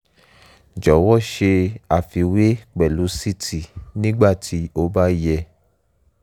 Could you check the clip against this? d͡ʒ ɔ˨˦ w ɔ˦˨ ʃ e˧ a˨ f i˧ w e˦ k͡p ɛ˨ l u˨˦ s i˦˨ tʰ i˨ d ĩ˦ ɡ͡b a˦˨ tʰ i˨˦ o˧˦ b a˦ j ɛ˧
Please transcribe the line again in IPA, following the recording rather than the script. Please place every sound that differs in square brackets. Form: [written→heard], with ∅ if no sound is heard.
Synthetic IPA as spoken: d͡ʒ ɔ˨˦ w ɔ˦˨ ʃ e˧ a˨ f i˧ w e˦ k͡p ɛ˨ l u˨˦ s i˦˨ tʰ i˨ [d→n] ĩ˦ ɡ͡b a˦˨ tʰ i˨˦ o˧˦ b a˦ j ɛ˧